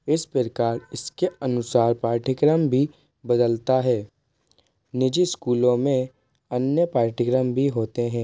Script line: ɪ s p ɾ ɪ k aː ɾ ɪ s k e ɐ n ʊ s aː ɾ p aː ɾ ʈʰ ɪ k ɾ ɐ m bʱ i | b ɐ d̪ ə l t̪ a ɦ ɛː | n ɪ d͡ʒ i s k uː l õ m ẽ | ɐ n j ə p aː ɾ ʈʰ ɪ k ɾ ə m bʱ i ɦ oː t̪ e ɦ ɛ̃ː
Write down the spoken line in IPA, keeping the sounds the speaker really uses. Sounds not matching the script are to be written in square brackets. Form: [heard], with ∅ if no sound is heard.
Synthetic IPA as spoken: ɪ s p ɾ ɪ k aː ɾ ɪ s k e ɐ n ʊ s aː ɾ p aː ɾ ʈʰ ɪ k ɾ [ə] m bʱ i | b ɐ d̪ ə l t̪ a ɦ ɛː | n ɪ d͡ʒ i s k uː l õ m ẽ | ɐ n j ə p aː ɾ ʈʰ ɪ k ɾ ə m bʱ i ɦ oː t̪ e ɦ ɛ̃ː